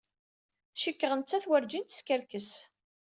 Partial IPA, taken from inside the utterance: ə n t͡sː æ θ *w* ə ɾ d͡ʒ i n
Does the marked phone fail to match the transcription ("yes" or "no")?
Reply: no